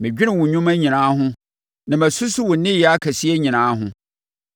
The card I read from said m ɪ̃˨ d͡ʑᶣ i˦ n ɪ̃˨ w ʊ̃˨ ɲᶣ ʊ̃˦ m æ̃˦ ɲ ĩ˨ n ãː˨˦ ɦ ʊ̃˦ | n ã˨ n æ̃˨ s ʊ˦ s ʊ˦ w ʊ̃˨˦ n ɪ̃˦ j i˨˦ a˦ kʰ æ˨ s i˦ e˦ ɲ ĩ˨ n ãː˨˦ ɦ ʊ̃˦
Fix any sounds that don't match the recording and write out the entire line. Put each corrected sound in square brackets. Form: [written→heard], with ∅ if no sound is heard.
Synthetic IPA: m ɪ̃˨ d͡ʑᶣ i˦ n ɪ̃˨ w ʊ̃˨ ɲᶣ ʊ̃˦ m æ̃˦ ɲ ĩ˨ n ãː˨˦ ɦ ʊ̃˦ | n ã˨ [n→m] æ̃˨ s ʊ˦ s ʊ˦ w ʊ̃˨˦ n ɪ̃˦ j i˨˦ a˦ kʰ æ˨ s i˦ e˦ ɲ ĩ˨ n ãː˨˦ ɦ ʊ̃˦

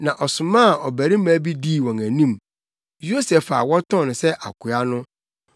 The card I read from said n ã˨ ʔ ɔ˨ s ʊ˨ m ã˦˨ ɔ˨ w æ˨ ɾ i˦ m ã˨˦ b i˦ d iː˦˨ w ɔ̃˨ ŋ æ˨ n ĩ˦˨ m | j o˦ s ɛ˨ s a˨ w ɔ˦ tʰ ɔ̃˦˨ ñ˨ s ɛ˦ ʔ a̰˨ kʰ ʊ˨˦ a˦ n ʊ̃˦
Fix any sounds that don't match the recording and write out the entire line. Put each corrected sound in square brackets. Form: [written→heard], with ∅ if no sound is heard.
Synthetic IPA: n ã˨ ʔ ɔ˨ s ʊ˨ m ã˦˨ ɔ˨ [w→b] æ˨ ɾ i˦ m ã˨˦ b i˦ d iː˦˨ w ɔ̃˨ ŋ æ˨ n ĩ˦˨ m | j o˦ s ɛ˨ [s→f] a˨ w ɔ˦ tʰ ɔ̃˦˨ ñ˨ s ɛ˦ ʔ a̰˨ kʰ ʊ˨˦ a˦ n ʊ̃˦

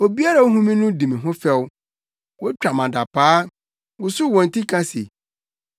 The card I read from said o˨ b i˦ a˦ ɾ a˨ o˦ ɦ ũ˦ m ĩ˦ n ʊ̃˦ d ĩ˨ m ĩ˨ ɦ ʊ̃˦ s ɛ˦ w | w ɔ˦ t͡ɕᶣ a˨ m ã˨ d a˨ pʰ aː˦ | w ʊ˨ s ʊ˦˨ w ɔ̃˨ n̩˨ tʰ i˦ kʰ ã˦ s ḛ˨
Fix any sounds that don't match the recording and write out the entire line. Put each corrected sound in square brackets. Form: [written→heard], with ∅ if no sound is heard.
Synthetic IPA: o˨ b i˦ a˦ ɾ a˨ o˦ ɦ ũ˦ m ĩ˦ n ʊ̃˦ d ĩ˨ m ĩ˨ ɦ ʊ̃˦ [s→f] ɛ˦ w | w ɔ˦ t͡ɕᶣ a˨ m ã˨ d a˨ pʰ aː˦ | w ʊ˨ s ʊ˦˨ w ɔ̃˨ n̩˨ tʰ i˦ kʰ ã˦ s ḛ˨

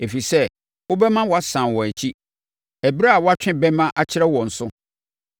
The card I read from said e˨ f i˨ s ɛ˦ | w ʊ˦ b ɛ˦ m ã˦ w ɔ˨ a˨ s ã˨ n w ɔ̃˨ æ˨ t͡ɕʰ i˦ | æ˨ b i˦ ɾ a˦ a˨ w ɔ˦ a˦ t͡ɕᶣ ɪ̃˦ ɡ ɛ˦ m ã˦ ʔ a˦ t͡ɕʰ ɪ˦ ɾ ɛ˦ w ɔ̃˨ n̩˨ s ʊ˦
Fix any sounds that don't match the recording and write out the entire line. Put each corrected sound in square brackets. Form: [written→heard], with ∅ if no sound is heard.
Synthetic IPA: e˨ f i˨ s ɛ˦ | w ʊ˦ b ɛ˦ m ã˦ w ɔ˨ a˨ s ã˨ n w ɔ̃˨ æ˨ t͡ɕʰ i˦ | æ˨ b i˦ ɾ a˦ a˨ w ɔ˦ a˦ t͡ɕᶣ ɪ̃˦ [ɡ→b] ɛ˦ m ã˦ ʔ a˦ t͡ɕʰ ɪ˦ ɾ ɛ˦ w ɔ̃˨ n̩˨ s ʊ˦

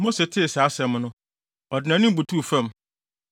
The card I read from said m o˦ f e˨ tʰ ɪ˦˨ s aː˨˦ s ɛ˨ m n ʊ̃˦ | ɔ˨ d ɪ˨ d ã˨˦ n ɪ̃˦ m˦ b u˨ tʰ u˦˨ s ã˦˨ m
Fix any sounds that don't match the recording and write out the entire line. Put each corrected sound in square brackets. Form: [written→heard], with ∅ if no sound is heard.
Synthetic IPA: m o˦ [f→s] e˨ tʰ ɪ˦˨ s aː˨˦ s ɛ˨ m n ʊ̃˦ | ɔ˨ d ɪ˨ [d→n] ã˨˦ n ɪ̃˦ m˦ b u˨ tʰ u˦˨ [s→f] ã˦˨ m

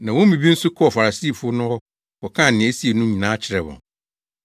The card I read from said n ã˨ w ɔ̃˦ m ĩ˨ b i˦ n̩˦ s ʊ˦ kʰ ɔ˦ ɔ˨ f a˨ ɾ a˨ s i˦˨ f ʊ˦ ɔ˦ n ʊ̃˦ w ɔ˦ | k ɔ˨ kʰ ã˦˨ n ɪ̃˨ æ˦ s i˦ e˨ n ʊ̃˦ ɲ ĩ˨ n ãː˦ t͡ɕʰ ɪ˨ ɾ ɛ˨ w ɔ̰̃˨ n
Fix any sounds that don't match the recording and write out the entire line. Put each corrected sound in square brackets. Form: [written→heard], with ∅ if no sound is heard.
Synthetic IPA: n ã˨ w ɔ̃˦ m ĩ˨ b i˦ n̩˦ s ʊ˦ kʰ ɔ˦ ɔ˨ f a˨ ɾ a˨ s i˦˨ f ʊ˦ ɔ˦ n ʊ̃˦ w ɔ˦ | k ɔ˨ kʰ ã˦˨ n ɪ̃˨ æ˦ s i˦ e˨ n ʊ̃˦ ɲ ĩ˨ n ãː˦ t͡ɕʰ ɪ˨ ɾ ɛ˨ w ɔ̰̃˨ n

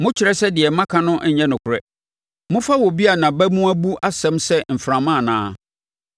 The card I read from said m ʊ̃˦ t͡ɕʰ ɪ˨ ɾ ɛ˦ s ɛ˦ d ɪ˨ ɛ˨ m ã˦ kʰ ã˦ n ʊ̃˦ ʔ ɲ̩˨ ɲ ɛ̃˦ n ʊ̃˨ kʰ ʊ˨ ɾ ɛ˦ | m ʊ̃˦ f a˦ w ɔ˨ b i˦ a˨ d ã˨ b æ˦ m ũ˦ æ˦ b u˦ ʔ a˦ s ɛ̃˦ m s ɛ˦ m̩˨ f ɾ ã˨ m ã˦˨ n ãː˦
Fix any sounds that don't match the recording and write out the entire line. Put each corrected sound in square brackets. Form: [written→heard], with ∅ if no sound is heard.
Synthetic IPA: m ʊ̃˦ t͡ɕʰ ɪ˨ ɾ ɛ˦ s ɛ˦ d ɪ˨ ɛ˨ m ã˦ kʰ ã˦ n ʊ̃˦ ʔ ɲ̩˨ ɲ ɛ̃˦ n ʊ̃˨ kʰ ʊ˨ ɾ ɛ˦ | m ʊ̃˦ f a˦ w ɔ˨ b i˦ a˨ [d→n] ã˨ b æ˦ m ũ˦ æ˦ b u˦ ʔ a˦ s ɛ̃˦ m s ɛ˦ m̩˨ f ɾ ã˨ m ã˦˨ n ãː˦

